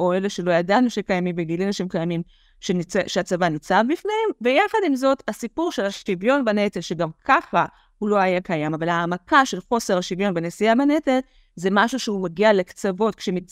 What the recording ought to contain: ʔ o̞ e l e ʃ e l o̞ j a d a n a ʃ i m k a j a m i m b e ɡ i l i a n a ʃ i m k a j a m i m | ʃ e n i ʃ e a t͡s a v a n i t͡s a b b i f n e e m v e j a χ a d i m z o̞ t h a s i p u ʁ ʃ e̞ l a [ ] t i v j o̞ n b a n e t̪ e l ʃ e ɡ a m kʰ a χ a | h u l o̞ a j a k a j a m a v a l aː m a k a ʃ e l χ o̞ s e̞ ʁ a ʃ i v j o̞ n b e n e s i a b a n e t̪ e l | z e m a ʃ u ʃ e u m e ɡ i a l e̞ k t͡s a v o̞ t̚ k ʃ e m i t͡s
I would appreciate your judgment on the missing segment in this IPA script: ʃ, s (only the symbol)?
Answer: ʃ